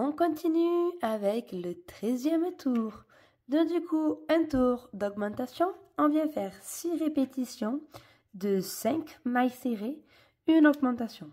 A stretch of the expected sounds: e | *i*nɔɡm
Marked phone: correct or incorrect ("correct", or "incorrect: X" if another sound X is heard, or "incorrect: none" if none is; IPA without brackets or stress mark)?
incorrect: y